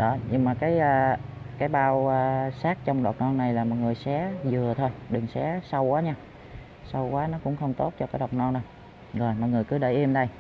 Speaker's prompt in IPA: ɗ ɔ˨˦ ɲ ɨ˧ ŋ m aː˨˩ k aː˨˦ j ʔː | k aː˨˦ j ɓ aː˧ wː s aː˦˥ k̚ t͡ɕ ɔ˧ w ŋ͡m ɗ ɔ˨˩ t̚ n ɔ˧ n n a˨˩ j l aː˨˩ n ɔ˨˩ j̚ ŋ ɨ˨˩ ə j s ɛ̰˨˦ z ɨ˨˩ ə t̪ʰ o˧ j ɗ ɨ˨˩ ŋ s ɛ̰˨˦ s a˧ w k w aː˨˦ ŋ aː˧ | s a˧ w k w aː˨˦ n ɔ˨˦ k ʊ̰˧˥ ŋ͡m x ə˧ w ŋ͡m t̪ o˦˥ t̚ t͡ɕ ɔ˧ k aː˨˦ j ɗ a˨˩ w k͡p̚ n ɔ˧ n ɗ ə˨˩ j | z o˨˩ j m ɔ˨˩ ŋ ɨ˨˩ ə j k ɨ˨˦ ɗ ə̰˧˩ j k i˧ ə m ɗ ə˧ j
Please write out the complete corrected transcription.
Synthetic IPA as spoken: ɗ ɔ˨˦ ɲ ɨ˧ ŋ m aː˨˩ k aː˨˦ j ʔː | k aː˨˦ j ɓ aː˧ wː s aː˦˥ k̚ t͡ɕ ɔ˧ w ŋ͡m ɗ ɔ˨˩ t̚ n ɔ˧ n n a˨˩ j l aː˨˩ m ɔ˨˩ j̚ ŋ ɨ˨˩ ə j s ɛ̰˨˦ z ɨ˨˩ ə t̪ʰ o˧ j ɗ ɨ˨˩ ŋ s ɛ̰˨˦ s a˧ w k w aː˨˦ ɲ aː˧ | s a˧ w k w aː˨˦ n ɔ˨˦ k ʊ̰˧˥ ŋ͡m x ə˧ w ŋ͡m t̪ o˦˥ t̚ t͡ɕ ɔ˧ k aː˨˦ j ɗ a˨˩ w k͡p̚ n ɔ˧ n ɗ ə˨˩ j | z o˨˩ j m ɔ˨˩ ŋ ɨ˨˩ ə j k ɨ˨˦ ɗ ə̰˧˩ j ʔ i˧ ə m ɗ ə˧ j

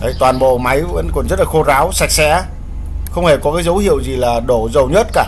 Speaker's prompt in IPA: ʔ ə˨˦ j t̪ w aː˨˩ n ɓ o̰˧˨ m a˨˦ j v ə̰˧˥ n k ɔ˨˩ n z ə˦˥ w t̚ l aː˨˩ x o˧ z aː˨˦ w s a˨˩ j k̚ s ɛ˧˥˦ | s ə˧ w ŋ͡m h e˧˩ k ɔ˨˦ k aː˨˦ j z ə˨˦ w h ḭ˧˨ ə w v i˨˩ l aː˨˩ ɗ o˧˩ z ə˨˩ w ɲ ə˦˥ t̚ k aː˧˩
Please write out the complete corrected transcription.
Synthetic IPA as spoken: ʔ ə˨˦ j t̪ w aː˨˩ n ɓ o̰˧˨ m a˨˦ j v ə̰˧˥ n k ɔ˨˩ n z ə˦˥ t̚ l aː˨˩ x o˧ z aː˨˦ w s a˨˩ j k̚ s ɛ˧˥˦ | x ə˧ w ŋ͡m h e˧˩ k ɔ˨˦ k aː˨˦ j z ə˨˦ w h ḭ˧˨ ə w z i˨˩ l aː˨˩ ɗ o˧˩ z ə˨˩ w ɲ ə˦˥ t̚ k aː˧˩

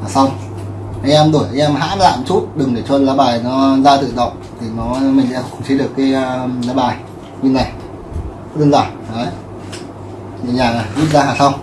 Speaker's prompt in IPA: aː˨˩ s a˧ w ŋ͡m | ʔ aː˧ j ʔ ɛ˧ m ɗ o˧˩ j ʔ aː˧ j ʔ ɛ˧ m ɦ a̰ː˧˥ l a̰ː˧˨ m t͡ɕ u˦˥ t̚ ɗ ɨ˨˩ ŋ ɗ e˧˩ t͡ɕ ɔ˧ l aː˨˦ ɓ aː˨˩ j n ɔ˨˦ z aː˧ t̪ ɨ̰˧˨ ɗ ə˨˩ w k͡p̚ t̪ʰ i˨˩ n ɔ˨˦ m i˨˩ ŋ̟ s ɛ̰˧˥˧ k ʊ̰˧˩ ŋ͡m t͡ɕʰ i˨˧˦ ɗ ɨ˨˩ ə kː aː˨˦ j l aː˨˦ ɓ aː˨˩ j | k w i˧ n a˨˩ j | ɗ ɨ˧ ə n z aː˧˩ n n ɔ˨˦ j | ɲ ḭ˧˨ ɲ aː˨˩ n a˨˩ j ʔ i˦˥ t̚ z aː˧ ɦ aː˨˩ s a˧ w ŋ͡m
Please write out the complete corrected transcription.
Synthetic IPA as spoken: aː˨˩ s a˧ w ŋ͡m | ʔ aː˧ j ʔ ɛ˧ m ɗ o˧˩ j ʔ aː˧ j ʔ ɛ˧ m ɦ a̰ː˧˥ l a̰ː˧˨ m t͡ɕ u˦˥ t̚ ɗ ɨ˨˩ ŋ ɗ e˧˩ t͡ɕ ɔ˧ l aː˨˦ ɓ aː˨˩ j n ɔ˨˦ z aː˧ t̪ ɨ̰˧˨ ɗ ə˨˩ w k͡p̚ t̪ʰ i˨˩ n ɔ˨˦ m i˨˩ ŋ̟ s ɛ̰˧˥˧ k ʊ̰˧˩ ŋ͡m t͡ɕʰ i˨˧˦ ɗ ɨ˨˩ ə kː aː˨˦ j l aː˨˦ ɓ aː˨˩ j | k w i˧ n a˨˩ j | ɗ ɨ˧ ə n z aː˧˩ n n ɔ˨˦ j | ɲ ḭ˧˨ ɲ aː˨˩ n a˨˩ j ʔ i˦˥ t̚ z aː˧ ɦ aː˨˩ s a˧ w ŋ͡m

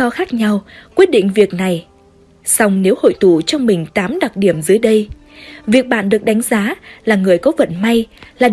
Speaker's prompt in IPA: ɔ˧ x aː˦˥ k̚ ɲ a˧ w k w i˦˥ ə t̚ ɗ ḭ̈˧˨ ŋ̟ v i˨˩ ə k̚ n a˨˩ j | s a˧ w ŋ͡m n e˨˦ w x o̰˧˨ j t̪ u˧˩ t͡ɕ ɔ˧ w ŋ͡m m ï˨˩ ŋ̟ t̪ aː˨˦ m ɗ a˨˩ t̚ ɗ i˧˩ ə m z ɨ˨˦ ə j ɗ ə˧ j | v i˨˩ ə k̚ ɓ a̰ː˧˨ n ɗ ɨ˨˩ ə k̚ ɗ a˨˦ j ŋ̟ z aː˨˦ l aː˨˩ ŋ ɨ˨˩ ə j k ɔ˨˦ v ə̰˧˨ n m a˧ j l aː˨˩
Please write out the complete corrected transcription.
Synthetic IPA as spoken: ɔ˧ x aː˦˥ k̚ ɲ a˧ w k w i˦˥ ə t̚ ɗ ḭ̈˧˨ ŋ̟ v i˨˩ ə k̚ n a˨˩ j | s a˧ w ŋ͡m n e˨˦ w h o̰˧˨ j t̪ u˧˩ t͡ɕ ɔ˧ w ŋ͡m m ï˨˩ ŋ̟ t̪ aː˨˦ m ɗ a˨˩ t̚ ɗ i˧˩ ə m z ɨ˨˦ ə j ɗ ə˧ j | v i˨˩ ə k̚ ɓ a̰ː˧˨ n ɗ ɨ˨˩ ə k̚ ɗ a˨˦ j ŋ̟ z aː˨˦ l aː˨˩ ŋ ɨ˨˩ ə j k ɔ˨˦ v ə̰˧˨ n m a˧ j l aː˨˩

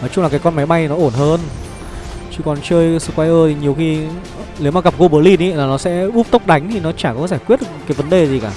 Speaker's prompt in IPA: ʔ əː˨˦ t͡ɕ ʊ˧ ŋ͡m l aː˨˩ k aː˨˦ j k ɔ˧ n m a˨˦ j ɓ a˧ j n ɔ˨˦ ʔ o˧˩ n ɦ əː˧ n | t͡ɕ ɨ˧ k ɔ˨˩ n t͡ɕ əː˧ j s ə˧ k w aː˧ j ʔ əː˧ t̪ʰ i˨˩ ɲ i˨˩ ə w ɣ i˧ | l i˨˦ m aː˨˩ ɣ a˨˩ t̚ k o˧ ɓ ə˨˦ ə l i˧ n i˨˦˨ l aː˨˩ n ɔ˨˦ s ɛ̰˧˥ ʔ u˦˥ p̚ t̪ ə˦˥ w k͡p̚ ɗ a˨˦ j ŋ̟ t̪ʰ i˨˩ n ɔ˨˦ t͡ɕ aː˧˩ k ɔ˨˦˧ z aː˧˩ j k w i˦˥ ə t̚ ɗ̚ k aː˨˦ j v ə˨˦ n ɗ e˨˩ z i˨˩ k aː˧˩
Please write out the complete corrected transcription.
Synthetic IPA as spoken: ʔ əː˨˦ t͡ɕ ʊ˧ ŋ͡m l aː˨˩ k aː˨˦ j k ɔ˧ n m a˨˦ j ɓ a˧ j n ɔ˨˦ ʔ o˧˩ n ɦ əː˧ n | t͡ɕ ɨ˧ k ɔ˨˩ n t͡ɕ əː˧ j s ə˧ k w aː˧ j ʔ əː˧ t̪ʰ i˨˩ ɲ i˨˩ ə w x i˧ | l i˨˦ m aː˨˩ ɣ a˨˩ p̚ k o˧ ɓ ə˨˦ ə l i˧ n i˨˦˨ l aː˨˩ n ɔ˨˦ s ɛ̰˧˥ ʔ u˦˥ p̚ t̪ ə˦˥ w k͡p̚ ɗ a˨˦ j ŋ̟ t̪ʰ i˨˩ n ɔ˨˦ t͡ɕ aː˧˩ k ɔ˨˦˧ z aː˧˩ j k w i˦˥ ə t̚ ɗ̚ k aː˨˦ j v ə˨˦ n ɗ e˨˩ z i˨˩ k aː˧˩

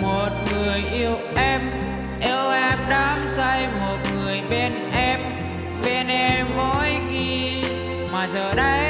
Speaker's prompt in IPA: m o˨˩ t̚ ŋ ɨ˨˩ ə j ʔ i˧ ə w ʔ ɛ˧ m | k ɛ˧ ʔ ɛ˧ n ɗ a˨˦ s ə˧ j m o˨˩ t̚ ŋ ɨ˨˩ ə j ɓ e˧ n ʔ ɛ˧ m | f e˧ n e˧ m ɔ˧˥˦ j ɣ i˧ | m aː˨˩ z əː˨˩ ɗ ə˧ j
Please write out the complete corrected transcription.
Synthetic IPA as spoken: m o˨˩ t̚ ŋ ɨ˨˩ ə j ʔ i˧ ə w ʔ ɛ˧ m | ʔ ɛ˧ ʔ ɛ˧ m ɗ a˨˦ s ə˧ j m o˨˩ t̚ ŋ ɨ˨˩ ə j ɓ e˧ n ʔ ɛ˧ m | v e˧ n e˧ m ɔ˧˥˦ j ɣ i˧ | m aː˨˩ z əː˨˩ ɗ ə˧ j

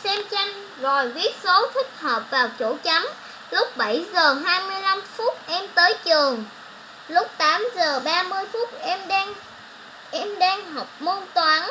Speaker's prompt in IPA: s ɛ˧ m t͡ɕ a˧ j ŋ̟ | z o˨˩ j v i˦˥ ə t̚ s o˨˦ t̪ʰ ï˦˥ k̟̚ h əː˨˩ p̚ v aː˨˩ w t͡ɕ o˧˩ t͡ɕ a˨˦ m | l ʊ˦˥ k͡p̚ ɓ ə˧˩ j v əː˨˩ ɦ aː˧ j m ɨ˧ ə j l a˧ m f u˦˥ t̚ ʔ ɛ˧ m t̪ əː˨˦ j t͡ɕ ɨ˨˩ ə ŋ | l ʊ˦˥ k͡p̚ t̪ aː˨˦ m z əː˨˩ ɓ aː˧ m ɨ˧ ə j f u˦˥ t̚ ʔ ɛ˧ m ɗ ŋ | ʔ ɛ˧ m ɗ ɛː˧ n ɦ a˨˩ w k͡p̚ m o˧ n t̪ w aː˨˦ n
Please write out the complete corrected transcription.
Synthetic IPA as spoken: s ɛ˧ m t͡ɕ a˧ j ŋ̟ | z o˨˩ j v i˦˥ ə t̚ s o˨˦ t̪ʰ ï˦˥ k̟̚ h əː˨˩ p̚ v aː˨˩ w t͡ɕ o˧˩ t͡ɕ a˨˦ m | l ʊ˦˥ k͡p̚ ɓ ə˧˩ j z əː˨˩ ɦ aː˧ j m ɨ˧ ə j l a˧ m f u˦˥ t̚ ʔ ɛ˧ m t̪ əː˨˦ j t͡ɕ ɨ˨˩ ə ŋ | l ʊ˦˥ k͡p̚ t̪ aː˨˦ m z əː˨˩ ɓ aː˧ m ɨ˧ ə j f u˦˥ t̚ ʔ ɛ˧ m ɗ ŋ | ʔ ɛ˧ m ɗ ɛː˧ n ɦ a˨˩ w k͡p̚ m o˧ n t̪ w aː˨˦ n

